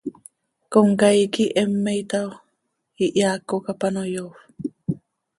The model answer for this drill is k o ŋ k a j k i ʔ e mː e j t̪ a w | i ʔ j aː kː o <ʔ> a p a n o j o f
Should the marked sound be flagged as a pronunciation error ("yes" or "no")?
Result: yes